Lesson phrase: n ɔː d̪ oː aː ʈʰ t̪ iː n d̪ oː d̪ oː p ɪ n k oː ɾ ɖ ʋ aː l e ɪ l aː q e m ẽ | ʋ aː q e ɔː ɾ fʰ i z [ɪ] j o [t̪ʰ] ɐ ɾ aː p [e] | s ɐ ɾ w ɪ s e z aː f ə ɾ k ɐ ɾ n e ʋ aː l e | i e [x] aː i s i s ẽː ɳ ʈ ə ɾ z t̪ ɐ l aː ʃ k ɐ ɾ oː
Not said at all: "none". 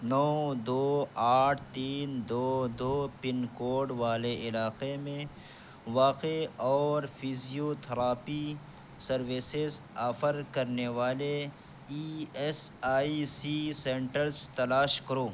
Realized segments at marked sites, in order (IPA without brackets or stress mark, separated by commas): i, t̪ʰ, i, s